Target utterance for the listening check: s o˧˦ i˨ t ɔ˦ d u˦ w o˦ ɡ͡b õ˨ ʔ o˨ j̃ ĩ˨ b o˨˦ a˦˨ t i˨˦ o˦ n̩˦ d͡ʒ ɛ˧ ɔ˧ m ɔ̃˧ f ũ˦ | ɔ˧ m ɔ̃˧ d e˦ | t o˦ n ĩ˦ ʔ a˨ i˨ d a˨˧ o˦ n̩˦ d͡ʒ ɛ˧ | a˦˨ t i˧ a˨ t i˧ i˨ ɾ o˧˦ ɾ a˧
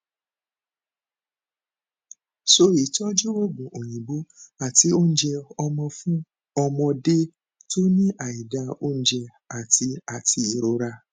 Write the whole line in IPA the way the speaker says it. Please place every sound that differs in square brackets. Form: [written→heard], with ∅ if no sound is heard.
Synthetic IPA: s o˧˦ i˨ t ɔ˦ [d→d͡ʒ] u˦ w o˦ ɡ͡b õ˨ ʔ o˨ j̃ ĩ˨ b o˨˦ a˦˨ t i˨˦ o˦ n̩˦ d͡ʒ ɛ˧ ɔ˧ m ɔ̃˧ f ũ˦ | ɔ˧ m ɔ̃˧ d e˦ | t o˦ n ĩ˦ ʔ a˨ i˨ d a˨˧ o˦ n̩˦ d͡ʒ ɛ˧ | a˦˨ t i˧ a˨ t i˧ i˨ ɾ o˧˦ ɾ a˧